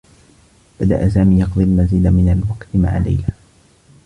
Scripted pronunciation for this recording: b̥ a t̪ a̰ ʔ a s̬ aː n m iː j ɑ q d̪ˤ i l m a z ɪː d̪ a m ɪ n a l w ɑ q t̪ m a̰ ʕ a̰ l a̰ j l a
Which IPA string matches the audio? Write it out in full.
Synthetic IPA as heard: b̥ a d̪ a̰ ʔ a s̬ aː m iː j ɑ q d̪ˤ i l m a z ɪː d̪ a m ɪ n a l w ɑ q t̪ m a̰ ʕ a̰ l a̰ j l a